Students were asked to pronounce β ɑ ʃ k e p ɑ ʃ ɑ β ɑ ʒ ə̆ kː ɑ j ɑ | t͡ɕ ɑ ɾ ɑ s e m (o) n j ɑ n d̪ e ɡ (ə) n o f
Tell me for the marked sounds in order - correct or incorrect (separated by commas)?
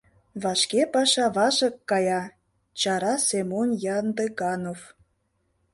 correct, incorrect